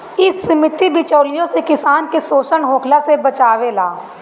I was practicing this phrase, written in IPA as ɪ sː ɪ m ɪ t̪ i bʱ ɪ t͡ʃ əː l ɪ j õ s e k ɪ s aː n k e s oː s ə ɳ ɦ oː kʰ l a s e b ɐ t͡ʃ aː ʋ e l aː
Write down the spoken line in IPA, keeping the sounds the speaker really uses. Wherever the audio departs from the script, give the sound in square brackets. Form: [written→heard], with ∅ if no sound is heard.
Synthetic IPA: ɪ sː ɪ m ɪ t̪ i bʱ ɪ t͡ʃ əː l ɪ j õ s e k ɪ s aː n k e s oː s ə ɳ ɦ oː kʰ l a s e b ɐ t͡ʃ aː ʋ e l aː